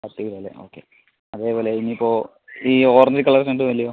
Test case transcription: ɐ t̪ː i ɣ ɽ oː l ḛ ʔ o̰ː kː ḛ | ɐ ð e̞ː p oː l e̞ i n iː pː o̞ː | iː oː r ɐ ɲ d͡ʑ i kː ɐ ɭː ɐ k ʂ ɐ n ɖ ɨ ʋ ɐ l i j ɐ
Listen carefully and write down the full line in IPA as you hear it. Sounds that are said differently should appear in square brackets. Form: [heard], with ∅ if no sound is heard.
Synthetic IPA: ɐ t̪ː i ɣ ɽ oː l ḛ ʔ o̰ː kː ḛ | ɐ ð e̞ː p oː l e̞ i n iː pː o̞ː | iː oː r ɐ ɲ d͡ʑ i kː ɐ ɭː ɐ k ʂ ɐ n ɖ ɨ ʋ ɐ l i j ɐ